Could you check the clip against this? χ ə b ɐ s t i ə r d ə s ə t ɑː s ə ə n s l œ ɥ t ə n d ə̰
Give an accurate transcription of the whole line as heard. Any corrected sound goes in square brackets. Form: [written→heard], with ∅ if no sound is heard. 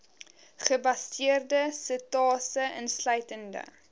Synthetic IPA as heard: χ ə b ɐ s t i ə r d ə s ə t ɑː s ə ə n s l œ ɥ t ə n d ə̰